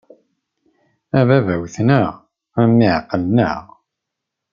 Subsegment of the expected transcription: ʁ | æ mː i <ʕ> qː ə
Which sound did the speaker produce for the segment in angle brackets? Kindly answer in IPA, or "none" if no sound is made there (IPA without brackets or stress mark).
ʕ